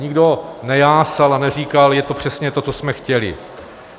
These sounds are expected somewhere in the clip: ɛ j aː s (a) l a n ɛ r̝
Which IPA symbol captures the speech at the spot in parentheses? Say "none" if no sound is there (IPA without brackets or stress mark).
a